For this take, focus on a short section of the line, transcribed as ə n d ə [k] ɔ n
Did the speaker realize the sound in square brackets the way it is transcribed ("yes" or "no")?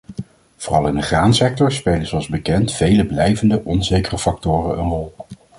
no